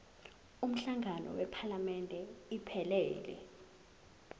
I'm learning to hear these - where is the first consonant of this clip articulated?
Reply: lips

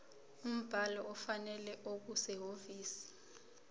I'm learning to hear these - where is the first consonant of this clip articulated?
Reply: lips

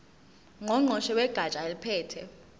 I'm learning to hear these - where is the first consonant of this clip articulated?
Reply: velum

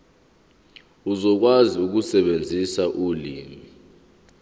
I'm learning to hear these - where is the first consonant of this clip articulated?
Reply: tongue tip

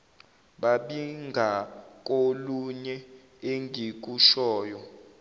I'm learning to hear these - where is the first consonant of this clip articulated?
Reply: lips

